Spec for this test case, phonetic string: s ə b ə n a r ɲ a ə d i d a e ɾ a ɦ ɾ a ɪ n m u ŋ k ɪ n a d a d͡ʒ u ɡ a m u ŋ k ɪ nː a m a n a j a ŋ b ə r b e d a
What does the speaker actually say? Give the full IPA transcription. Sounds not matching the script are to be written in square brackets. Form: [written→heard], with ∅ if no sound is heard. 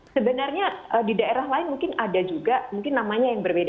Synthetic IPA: s ə b ə n a r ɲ a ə d i d a e ɾ a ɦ [ɾ→l] a ɪ n m u ŋ k ɪ n a d a d͡ʒ u ɡ a m u ŋ k ɪ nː a m a [n→ɲ] a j a ŋ b ə r b e d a